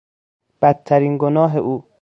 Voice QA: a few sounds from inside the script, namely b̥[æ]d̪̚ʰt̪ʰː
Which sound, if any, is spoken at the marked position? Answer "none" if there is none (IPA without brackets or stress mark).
æ